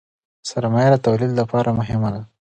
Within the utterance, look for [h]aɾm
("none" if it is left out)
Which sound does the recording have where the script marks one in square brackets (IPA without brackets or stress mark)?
s